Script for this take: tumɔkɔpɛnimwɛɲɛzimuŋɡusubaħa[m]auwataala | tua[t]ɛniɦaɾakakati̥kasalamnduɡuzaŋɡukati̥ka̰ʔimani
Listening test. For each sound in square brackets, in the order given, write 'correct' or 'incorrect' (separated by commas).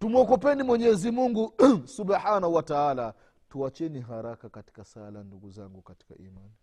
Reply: incorrect, incorrect